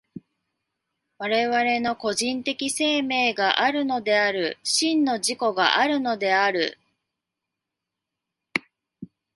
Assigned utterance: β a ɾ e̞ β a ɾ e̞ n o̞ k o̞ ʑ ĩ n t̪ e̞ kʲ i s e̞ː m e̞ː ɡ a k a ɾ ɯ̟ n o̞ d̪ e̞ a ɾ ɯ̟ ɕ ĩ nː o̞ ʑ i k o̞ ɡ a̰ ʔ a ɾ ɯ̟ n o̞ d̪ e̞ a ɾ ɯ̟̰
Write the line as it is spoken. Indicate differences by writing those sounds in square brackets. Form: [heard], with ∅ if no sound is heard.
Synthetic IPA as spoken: β a ɾ e̞ β a ɾ e̞ n o̞ k o̞ ʑ ĩ n t̪ e̞ kʲ i s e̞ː m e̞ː ɡ a [ʔ] a ɾ ɯ̟ n o̞ d̪ e̞ a ɾ ɯ̟ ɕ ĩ nː o̞ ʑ i k o̞ ɡ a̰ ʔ a ɾ ɯ̟ n o̞ d̪ e̞ a ɾ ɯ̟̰

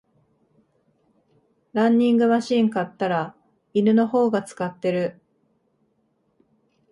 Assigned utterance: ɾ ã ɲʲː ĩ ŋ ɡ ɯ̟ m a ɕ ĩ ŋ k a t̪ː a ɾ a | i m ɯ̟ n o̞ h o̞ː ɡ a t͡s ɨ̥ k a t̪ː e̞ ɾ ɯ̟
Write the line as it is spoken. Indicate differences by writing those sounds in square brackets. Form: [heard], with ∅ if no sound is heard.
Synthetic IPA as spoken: ɾ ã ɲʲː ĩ ŋ ɡ ɯ̟ m a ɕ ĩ ŋ k a t̪ː a ɾ a | i [n] ɯ̟ n o̞ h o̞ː ɡ a t͡s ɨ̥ k a t̪ː e̞ ɾ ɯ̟

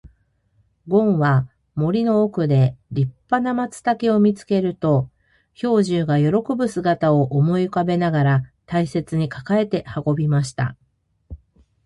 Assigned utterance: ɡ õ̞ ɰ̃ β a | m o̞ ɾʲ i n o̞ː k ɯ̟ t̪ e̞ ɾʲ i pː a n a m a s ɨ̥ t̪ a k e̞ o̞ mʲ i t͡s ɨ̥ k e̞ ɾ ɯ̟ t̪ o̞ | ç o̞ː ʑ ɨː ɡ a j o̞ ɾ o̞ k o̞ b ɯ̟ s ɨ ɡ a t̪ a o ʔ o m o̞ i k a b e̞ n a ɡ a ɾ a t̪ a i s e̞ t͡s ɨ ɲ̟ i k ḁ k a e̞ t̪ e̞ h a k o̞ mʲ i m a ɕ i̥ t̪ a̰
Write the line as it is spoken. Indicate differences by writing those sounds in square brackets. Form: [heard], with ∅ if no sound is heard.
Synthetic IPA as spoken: ɡ õ̞ ɰ̃ β a | m o̞ ɾʲ i n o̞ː k ɯ̟ [d̪] e̞ ɾʲ i pː a n a m a [t͡s] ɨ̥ t̪ a k e̞ o̞ mʲ i t͡s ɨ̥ k e̞ ɾ ɯ̟ t̪ o̞ | ç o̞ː ʑ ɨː ɡ a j o̞ ɾ o̞ k o̞ b ɯ̟ s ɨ ɡ a t̪ a o ʔ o m o̞ i k a b e̞ n a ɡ a ɾ a t̪ a i s e̞ t͡s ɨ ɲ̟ i k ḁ k a e̞ t̪ e̞ h a k o̞ [bʲ] i m a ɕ i̥ t̪ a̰

